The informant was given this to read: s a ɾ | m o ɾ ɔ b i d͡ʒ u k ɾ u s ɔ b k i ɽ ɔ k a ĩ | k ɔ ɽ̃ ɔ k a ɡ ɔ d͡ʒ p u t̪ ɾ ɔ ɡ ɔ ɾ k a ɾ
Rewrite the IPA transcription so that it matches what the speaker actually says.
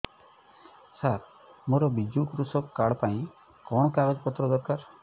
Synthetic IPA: s a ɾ | m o ɾ ɔ b i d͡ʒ u k ɾ u s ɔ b k a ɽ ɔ p a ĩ | k ɔ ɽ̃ ɔ k a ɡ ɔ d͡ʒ p ɔ t̪ ɾ ɔ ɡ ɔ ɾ k a ɾ